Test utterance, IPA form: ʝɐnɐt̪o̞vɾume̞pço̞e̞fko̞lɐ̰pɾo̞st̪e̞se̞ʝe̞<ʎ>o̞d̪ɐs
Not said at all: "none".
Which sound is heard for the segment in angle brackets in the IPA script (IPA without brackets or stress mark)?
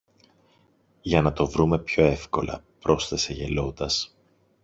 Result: l